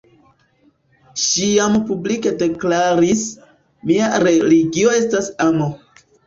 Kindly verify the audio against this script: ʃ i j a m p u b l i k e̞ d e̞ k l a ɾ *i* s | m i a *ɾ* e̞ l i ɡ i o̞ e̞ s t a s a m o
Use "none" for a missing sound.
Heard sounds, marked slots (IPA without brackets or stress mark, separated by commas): i, ɾ